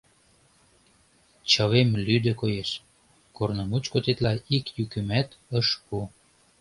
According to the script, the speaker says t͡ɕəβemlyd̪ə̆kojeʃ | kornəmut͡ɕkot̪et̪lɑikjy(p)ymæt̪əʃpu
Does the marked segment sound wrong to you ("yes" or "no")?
yes